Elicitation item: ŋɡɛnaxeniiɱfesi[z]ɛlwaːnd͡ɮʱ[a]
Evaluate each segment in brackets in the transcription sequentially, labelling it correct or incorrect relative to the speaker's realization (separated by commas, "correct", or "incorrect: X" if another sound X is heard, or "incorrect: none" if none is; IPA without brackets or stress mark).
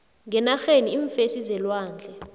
correct, incorrect: ɛ